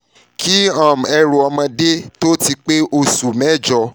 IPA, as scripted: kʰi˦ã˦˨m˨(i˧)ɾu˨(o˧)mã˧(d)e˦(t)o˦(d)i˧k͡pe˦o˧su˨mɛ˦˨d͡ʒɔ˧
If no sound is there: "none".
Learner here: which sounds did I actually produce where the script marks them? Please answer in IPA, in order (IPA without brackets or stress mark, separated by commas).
ɛ˧, ɔ˧, d, t, t